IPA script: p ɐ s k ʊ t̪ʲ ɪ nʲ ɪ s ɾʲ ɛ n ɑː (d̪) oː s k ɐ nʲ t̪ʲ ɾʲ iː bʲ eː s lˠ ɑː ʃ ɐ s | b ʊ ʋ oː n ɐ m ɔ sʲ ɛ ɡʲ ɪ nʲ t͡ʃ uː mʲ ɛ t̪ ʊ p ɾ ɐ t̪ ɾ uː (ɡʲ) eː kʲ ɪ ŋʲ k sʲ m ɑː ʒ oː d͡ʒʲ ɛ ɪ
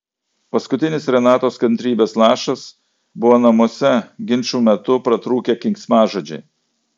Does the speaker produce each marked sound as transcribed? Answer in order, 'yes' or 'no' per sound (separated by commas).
no, no